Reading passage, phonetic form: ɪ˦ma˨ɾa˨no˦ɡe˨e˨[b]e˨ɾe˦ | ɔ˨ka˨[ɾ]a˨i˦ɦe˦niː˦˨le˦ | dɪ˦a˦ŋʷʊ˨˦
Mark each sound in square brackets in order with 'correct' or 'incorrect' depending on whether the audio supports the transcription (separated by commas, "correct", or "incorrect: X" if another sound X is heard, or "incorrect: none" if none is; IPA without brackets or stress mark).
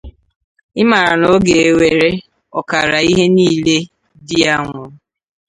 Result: incorrect: w, correct